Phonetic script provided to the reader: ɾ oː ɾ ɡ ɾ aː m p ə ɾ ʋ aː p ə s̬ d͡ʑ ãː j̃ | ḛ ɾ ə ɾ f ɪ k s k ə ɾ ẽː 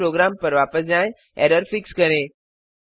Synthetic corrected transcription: ɾ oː ɡ ɾ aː m p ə ɾ ʋ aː p ə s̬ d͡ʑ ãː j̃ | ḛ ɾ ə ɾ f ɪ k s k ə ɾ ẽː